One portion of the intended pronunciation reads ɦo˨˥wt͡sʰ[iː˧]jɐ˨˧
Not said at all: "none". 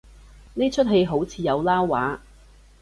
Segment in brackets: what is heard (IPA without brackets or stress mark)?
iː˧